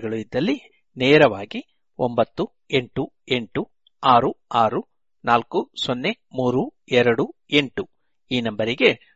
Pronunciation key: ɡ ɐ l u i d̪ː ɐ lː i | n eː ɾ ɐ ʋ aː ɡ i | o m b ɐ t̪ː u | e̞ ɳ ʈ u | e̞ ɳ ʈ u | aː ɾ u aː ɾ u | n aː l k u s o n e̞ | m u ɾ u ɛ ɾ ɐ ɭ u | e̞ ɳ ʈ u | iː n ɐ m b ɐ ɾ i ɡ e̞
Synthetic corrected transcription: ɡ ɐ ɭ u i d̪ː ɐ lː i | n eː ɾ ɐ ʋ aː ɡ i | o m b ɐ t̪ː u | e̞ ɳ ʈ u | e̞ ɳ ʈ u | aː ɾ u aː ɾ u | n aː l k u s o nː e̞ | m uː ɾ u ɛ ɾ ɐ ɽ u | e̞ ɳ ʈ u | iː n ɐ m b ɐ ɾ i ɡ e̞